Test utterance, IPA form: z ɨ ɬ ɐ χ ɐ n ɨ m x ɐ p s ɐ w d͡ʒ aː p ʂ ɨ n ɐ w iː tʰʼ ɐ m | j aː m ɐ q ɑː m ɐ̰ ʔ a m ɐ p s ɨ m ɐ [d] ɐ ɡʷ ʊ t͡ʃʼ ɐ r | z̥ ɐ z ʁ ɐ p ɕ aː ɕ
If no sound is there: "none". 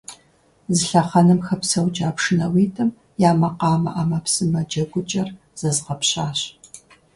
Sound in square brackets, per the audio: d͡ʒ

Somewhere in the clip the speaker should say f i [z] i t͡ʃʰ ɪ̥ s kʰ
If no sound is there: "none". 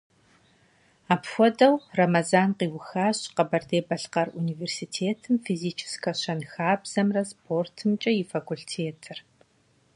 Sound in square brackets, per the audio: z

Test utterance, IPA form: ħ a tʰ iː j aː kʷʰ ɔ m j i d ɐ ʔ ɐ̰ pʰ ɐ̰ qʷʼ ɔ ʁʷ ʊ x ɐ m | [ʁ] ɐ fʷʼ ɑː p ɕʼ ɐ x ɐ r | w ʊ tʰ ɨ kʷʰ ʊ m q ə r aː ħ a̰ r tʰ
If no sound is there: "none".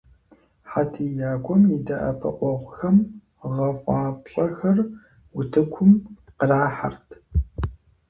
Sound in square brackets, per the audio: ʁ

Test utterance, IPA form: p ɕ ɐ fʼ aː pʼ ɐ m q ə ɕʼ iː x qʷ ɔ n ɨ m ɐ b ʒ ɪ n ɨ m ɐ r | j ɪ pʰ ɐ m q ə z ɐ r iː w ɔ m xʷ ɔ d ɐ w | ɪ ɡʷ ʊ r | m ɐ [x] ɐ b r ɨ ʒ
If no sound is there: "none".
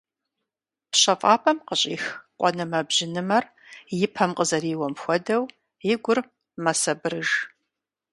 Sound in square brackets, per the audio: s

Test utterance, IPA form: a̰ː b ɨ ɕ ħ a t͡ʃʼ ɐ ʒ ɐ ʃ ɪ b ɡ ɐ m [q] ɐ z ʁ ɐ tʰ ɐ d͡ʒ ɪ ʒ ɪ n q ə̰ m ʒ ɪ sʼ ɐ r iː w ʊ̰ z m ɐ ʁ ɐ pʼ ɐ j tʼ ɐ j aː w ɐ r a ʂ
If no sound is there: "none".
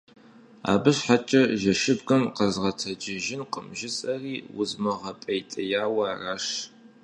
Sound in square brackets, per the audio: q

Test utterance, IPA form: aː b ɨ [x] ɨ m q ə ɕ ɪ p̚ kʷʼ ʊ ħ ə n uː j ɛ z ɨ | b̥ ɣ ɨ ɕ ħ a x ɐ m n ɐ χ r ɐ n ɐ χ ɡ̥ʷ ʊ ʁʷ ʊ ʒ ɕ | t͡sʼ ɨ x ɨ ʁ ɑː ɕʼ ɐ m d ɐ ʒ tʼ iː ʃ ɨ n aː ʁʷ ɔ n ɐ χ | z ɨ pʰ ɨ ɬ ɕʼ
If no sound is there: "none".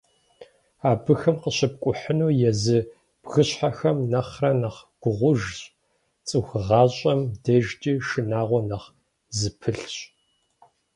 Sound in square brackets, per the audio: x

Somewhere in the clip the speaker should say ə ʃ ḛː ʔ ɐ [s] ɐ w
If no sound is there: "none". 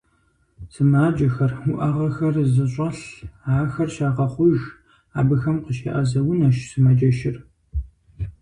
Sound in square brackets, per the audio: z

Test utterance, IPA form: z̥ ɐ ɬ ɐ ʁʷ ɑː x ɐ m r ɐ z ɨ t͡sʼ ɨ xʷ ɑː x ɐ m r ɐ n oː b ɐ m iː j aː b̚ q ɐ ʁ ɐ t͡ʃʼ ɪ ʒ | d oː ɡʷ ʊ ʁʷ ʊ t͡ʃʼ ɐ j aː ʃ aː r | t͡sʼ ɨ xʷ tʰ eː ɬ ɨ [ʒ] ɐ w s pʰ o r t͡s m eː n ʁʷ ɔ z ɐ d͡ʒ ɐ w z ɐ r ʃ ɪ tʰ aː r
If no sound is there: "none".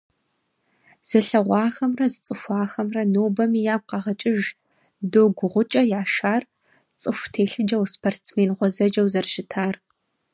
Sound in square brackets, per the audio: d͡ʒ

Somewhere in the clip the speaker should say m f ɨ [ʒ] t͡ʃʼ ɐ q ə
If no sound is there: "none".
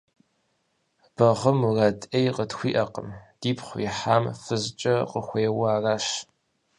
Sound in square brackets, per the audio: z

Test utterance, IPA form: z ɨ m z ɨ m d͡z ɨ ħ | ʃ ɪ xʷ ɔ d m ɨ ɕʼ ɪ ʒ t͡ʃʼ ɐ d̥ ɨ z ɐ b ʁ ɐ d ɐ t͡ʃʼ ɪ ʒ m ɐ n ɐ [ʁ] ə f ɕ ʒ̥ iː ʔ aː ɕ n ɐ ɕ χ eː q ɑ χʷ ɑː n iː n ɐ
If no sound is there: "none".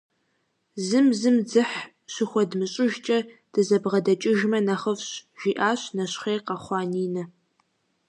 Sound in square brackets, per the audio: χ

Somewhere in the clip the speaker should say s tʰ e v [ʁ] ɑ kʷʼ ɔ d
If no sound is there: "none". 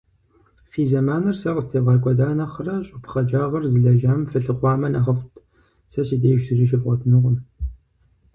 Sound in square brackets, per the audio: ʁ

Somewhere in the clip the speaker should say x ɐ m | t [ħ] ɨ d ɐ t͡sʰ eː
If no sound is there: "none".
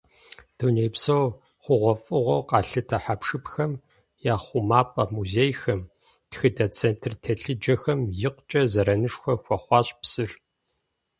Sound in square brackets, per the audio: x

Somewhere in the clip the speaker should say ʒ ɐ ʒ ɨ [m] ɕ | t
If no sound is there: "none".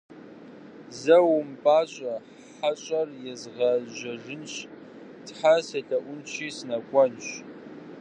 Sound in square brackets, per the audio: n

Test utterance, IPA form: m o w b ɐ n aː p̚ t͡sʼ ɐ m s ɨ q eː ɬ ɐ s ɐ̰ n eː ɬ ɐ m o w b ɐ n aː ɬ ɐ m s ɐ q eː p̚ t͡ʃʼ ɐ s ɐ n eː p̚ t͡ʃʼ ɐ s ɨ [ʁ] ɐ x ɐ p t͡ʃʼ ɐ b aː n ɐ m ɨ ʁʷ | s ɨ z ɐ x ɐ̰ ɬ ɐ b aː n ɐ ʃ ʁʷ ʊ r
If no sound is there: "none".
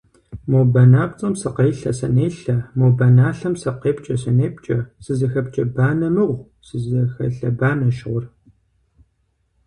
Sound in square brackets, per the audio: z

